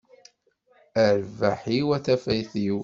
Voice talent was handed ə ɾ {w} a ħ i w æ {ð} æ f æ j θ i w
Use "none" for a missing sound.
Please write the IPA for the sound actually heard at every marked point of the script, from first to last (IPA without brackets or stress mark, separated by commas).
v, θ